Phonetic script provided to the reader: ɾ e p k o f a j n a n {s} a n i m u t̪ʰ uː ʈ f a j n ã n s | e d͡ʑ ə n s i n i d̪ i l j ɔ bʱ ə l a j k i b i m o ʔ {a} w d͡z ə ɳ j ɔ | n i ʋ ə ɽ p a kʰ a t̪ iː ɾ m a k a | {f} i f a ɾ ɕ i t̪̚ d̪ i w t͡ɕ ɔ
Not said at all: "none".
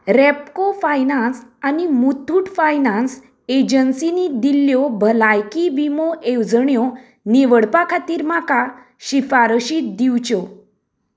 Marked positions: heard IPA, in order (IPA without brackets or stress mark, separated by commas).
s, e, ɕ